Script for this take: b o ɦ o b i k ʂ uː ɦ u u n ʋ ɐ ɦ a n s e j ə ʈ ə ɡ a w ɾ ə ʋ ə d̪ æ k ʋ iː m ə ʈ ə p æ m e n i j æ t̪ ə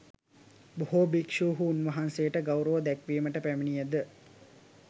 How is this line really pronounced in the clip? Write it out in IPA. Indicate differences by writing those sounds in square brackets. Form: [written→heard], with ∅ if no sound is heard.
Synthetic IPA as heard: b o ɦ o b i k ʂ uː ɦ u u n ʋ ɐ ɦ a n s e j ə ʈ ə ɡ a w ɾ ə ʋ ə d̪ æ k ʋ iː m ə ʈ ə p æ m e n i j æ [t̪→d̪] ə